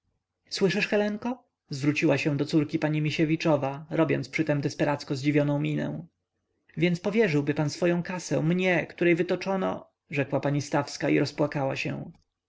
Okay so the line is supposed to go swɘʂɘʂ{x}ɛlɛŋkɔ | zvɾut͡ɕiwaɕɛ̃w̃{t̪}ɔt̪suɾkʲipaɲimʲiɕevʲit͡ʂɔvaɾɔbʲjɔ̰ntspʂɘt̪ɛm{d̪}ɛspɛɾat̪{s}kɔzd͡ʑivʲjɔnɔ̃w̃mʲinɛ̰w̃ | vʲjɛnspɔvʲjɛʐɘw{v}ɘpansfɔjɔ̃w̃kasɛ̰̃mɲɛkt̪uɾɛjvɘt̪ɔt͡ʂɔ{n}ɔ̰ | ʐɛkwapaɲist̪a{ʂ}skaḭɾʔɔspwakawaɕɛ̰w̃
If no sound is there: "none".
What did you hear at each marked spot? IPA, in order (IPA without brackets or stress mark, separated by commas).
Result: x, d̪, d̪, s, b, n, f